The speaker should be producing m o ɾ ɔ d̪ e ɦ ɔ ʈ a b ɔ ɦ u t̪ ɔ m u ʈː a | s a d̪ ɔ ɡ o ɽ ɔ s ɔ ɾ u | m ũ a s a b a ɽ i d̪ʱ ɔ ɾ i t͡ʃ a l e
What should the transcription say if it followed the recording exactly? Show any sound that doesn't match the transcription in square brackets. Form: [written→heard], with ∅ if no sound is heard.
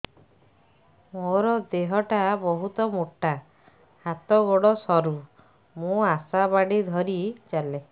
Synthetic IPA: m o ɾ ɔ d̪ e ɦ ɔ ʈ a b ɔ ɦ u t̪ ɔ m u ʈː a | [s→h] a [d̪→t̪] ɔ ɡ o ɽ ɔ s ɔ ɾ u | m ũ a s a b a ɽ i d̪ʱ ɔ ɾ i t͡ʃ a l e